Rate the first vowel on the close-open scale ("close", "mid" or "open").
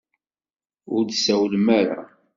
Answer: close